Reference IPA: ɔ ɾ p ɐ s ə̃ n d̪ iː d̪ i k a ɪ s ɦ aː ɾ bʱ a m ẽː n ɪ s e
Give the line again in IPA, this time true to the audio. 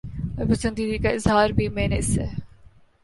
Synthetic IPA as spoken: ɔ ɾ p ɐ s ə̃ n d̪ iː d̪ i k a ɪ z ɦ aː ɾ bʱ i m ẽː n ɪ s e